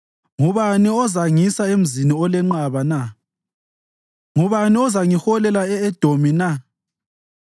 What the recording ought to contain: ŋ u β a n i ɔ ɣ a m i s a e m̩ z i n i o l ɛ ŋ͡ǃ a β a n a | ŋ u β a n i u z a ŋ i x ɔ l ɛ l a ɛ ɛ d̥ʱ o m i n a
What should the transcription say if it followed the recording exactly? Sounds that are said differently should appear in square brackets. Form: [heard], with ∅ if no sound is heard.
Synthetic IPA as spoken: ŋ u β a n i ɔ [z] a [ŋ] i s a e m̩ z i n i [ɔ] l ɛ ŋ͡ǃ a β a n a | ŋ u β a n i [ɔ] z a ŋ i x ɔ l ɛ l a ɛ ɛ d̥ʱ o m i n a